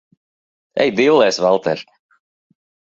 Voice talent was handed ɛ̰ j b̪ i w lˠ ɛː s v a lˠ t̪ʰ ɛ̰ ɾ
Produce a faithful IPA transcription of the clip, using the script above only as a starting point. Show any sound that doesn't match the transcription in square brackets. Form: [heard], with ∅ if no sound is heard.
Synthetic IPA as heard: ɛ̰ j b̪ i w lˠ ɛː s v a lˠ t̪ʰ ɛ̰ ɾ